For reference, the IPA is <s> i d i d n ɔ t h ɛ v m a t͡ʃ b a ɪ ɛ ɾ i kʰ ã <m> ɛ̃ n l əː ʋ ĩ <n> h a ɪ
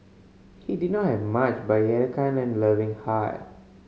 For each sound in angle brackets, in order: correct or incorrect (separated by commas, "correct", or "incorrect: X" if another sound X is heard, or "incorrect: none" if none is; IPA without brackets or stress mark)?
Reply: incorrect: h, incorrect: n, incorrect: ŋ